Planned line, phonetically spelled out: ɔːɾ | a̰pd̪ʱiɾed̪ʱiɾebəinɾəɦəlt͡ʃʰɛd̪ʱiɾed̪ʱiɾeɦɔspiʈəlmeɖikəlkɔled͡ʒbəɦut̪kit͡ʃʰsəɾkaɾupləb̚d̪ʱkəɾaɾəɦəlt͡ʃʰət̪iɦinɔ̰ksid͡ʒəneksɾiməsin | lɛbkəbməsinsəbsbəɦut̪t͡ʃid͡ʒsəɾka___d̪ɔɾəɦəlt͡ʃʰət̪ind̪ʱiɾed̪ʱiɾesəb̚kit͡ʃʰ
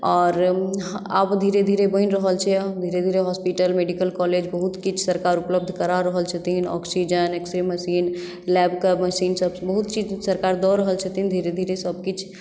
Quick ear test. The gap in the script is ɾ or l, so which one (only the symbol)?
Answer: ɾ